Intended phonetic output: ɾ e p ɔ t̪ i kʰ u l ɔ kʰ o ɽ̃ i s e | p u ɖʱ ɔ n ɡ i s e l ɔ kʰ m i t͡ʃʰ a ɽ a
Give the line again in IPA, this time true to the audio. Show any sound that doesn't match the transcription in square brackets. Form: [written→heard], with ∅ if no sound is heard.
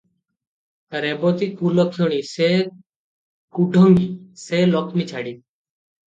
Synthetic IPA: ɾ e [p→b] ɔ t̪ i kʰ u l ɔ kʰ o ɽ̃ i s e | [p→k] u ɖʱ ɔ [n→ŋ] ɡ i s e l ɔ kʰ m i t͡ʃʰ a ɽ [a→i]